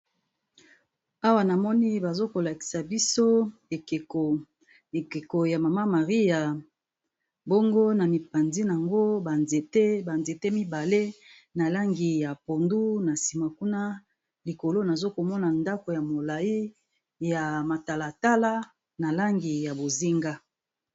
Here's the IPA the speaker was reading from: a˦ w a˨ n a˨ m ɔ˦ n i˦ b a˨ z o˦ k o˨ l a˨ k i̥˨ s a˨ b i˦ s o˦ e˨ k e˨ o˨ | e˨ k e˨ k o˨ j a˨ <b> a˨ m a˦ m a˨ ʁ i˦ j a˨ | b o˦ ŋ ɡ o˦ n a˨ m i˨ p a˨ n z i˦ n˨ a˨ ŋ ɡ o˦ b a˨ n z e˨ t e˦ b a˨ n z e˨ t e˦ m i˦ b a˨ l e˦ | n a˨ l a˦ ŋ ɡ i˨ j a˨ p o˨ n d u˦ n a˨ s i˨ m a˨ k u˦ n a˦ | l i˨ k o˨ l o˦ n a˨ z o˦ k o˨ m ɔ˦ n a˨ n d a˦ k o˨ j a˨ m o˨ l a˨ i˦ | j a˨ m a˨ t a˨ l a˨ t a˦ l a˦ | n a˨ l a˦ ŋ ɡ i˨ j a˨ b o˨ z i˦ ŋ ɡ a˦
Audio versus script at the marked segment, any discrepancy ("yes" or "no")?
yes